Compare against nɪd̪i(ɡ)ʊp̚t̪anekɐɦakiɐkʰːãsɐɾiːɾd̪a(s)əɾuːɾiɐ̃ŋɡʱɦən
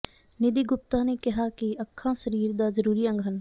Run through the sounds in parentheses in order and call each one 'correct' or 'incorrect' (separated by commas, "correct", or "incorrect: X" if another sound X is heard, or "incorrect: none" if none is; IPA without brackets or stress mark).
correct, incorrect: z